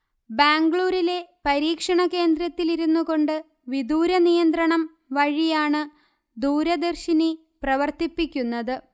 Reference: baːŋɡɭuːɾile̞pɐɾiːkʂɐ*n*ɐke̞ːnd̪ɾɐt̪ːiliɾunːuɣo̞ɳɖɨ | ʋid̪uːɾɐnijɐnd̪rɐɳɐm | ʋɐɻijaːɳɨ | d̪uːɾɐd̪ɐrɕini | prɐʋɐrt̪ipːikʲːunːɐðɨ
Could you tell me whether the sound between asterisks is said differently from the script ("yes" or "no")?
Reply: yes